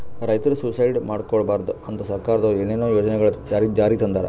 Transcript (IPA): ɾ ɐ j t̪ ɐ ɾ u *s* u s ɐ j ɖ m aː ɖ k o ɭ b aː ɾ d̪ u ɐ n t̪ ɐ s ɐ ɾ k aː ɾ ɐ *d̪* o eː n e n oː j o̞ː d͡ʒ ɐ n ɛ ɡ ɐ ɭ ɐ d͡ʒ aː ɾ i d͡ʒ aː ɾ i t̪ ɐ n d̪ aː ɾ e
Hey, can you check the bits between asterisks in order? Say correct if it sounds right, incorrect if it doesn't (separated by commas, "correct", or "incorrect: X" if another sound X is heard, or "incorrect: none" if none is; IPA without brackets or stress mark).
correct, correct